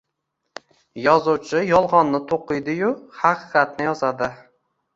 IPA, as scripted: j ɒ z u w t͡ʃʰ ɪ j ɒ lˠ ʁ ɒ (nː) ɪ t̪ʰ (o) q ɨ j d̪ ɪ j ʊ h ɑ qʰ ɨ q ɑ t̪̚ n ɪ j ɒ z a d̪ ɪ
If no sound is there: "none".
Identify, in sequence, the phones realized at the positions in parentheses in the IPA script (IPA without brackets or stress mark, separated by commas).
nː, o